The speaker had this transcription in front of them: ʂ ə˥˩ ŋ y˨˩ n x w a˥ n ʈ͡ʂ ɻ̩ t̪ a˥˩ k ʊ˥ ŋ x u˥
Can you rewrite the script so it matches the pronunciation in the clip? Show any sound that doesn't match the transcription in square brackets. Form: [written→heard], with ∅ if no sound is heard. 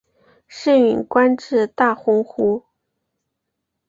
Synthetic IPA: ʂ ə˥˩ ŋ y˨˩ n [x→k] w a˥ n ʈ͡ʂ ɻ̩ t̪ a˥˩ [k→x] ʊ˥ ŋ x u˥